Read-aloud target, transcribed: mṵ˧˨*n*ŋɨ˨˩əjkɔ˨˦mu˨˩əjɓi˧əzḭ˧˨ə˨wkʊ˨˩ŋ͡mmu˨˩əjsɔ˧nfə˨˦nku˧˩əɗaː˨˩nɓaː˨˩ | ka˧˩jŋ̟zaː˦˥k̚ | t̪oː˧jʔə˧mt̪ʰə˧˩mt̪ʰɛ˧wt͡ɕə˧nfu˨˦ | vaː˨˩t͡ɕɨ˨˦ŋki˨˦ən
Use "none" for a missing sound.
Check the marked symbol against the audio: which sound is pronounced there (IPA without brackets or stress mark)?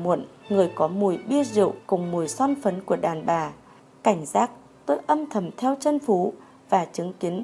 n